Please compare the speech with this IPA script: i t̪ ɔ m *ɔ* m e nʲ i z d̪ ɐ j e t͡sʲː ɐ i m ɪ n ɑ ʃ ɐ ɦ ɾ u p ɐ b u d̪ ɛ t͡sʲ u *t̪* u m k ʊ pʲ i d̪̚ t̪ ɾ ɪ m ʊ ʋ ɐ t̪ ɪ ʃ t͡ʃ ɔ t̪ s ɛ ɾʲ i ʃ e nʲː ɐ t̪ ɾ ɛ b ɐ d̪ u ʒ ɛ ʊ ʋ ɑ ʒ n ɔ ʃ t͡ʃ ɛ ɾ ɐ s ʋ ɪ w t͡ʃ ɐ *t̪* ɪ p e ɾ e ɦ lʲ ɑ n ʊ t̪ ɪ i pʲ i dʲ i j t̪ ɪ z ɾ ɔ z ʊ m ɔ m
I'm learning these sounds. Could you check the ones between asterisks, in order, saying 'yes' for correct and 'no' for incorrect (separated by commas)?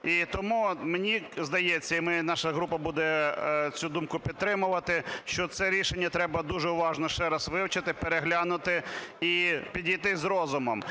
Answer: no, no, yes